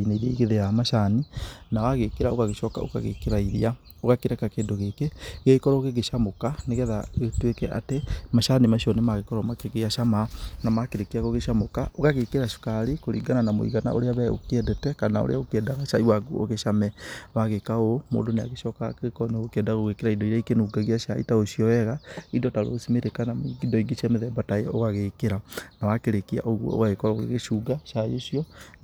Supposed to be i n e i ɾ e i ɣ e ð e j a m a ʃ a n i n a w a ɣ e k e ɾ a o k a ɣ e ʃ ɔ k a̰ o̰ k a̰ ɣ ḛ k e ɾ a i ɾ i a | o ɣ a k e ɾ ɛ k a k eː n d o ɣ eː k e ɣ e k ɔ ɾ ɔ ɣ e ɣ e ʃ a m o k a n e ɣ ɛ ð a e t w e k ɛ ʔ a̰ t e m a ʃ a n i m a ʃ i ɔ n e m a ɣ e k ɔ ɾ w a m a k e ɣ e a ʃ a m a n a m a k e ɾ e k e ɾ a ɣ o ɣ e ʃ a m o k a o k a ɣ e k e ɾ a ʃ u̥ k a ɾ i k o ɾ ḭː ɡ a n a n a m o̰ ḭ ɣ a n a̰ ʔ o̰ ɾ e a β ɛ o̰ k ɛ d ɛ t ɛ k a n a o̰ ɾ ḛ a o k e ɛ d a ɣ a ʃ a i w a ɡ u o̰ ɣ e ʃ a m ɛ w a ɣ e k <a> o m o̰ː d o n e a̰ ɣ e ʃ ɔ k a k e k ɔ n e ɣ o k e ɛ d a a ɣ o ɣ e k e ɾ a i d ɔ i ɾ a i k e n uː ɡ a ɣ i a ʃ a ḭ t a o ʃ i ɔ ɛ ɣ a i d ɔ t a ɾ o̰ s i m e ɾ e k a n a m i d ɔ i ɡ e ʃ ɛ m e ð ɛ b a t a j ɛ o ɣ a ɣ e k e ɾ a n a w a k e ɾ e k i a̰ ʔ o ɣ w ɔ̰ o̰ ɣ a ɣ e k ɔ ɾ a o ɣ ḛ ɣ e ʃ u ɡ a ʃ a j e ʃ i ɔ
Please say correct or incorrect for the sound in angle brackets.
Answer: correct